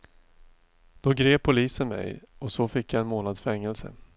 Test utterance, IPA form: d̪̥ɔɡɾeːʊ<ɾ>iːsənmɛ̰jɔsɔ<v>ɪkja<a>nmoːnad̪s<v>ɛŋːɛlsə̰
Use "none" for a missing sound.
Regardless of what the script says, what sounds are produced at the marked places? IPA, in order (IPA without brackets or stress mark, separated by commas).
l, f, ɛ, f